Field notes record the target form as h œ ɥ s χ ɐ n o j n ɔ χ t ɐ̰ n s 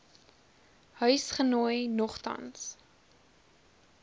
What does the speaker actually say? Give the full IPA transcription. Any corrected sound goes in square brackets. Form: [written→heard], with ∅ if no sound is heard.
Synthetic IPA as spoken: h œ ɥ s χ [ɐ→ə] n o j n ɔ χ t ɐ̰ n s